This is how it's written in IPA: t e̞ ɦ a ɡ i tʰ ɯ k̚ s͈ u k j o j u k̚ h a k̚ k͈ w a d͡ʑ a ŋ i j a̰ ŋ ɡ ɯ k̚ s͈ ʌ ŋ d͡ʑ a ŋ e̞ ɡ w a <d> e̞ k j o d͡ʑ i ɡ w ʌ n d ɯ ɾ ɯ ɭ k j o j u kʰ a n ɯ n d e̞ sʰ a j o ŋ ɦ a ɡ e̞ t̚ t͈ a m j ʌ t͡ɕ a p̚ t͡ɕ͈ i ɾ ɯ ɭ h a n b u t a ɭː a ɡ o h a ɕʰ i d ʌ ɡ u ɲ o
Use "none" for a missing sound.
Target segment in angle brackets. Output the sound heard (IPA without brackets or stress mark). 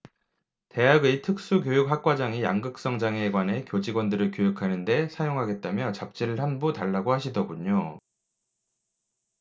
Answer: n